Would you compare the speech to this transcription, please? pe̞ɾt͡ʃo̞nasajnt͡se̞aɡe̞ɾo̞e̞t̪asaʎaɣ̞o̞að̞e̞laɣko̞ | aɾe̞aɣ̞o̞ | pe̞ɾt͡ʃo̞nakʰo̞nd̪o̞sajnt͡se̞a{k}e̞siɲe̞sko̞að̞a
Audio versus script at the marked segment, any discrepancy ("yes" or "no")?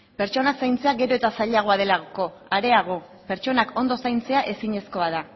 yes